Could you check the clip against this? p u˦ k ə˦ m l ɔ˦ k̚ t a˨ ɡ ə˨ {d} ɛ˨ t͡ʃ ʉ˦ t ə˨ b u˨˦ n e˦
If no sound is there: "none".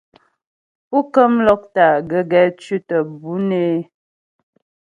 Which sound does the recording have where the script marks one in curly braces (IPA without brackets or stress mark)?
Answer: ɡ